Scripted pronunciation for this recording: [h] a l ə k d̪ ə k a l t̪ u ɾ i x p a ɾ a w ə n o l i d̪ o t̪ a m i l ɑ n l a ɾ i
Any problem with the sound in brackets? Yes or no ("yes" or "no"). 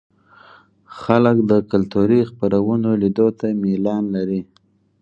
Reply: yes